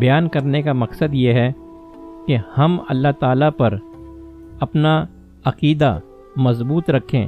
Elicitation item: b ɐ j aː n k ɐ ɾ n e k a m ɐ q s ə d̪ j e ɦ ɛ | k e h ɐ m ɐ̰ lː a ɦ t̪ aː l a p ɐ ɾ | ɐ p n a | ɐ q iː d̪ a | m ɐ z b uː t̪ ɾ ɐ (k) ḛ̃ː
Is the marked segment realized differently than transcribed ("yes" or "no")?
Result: yes